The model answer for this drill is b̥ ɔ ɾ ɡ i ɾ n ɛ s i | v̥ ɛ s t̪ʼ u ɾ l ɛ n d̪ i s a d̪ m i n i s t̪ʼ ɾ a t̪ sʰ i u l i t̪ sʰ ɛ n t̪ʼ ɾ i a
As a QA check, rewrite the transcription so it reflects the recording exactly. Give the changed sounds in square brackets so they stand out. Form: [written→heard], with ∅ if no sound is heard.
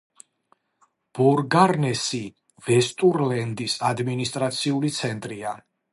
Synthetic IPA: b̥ ɔ ɾ ɡ [i→a] ɾ n ɛ s i | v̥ ɛ s t̪ʼ u ɾ l ɛ n d̪ i s a d̪ m i n i s t̪ʼ ɾ a t̪ sʰ i u l i t̪ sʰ ɛ n t̪ʼ ɾ i a